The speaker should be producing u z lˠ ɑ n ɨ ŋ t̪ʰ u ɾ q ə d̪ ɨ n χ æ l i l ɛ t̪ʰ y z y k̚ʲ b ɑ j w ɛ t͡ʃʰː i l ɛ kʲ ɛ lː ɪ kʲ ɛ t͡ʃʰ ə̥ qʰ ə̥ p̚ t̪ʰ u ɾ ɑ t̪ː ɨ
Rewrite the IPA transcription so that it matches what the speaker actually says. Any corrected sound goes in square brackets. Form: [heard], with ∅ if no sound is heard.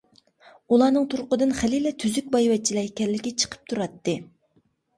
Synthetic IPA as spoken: u [∅] lˠ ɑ n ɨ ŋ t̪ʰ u ɾ q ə d̪ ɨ n χ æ l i l ɛ t̪ʰ y z y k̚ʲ b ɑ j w ɛ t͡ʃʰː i l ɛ kʲ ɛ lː ɪ kʲ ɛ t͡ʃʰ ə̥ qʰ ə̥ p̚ t̪ʰ u ɾ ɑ t̪ː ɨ